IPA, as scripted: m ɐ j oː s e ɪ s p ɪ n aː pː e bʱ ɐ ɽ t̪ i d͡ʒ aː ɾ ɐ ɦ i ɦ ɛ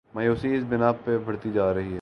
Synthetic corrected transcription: m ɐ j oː s i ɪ s b ɪ n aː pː e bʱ ɐ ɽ t̪ i d͡ʒ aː ɾ ɐ ɦ i ɦ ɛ